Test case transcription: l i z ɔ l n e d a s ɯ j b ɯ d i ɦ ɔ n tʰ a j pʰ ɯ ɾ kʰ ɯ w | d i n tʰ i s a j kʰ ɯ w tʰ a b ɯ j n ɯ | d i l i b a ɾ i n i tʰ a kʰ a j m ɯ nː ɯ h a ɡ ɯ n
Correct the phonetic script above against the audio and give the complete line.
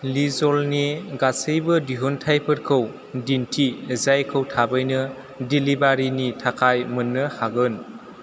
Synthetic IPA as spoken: l i z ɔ l n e ɡ a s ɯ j b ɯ d i ɦ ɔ n tʰ a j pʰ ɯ ɾ kʰ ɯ w | d i n tʰ i z a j kʰ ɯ w tʰ a b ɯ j n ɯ | d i l i b a ɾ i n i tʰ a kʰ a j m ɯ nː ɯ h a ɡ ɯ n

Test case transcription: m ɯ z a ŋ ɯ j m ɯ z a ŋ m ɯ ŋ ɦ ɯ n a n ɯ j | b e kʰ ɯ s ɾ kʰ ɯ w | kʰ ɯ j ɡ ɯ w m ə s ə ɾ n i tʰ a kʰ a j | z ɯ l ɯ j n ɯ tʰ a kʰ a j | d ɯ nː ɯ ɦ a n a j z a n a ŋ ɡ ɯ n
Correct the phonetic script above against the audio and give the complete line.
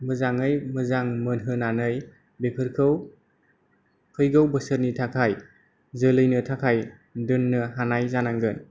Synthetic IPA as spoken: m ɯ z a ŋ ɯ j m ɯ z a ŋ m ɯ n ɦ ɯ n a n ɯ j | b e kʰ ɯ ɾ kʰ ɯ w | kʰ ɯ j ɡ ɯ w b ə s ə ɾ n i tʰ a kʰ a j | z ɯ l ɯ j n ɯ tʰ a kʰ a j | d ɯ nː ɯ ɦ a n a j z a n a ŋ ɡ ɯ n

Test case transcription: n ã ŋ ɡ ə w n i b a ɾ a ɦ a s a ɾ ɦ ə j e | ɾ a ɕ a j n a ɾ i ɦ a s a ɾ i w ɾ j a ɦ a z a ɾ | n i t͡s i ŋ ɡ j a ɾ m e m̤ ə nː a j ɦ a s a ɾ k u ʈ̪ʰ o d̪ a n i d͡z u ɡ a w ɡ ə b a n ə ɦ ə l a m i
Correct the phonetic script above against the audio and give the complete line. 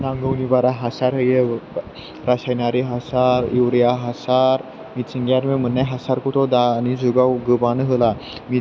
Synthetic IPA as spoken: n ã ŋ ɡ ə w n i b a ɾ a ɦ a s a ɾ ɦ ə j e | ɾ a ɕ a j n a ɾ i ɦ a s a ɾ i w ɾ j a ɦ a s a ɾ | m i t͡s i ŋ ɡ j a ɾ m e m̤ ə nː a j ɦ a s a ɾ k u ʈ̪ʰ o d̪ a n i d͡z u ɡ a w ɡ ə b a n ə ɦ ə l a m i

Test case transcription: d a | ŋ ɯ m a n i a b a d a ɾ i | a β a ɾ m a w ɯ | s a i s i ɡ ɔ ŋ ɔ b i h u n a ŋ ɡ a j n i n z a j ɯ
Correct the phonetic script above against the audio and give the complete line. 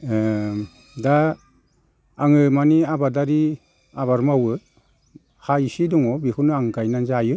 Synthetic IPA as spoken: d a | ŋ ɯ m a n i a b a d a ɾ i | a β a ɾ m a w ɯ | h a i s i d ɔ ŋ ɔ b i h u n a ŋ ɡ a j n a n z a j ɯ

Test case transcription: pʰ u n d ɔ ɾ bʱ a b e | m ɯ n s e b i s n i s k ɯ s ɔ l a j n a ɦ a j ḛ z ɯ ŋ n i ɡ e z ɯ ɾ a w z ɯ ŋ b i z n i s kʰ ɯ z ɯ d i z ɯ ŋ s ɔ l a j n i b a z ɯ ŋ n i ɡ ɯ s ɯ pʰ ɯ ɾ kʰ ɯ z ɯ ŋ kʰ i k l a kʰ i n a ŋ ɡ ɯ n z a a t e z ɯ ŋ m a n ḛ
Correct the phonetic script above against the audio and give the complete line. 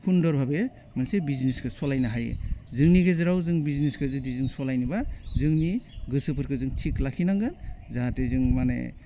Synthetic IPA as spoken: pʰ u n d ɔ ɾ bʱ a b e | m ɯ n s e b i z n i s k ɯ s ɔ l a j n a ɦ a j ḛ z ɯ ŋ n i ɡ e z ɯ ɾ a w z ɯ ŋ b i z n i s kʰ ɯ z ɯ d i z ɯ ŋ s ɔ l a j n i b a z ɯ ŋ n i ɡ ɯ s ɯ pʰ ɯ ɾ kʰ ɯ z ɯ ŋ tʰ i k l a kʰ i n a ŋ ɡ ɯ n z a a t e z ɯ ŋ m a n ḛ

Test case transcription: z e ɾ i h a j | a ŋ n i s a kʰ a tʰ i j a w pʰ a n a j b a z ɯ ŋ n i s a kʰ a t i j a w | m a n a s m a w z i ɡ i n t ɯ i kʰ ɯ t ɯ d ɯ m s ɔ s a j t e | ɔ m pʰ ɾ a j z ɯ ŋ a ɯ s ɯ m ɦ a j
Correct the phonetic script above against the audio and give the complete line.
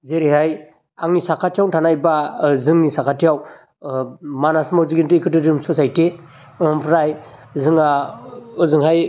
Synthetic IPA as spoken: z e ɾ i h a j | a ŋ n i s a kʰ a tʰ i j a w tʰ a n a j b a z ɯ ŋ n i s a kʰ a t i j a w | m a n a s m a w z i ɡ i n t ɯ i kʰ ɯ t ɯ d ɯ m s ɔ s a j t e | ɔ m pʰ ɾ a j z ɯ ŋ a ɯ z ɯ ŋ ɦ a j

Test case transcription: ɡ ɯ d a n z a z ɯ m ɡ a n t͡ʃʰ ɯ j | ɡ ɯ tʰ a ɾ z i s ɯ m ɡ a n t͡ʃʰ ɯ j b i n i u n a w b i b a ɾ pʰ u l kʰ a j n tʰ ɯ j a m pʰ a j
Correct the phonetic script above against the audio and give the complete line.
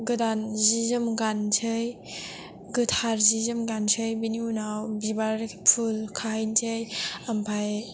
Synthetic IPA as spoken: ɡ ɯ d a n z i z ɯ m ɡ a n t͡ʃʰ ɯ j | ɡ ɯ tʰ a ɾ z i z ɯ m ɡ a n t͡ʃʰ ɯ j b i n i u n a w b i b a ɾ pʰ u l kʰ a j n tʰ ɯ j a m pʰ a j

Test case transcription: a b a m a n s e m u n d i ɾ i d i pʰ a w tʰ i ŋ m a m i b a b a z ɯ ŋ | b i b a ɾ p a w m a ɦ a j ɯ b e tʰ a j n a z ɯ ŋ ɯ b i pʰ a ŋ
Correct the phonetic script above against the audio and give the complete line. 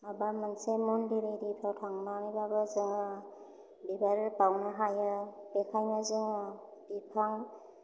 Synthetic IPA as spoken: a b a m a n s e m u n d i ɾ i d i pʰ a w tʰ a ŋ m a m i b a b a z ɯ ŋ | b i b a ɾ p a w n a ɦ a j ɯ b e kʰ a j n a z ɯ ŋ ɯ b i pʰ a ŋ

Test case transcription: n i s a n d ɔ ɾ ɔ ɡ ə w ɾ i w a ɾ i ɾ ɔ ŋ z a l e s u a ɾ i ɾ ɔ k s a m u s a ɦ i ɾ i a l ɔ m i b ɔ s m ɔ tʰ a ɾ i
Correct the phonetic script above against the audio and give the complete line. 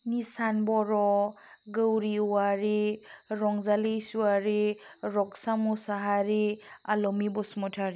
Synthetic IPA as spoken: n i s a n b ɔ ɾ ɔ ɡ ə w ɾ i w a ɾ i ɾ ɔ ŋ z a l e s u a ɾ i ɾ ɔ k s a m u s a ɦ a ɾ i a l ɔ m i b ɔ s m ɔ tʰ a ɾ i

